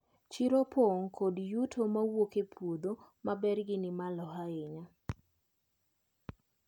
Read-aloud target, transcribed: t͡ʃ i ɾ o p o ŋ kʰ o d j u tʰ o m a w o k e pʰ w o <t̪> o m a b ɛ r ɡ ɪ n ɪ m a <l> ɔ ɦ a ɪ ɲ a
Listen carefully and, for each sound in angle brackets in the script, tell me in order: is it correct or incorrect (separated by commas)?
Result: incorrect, correct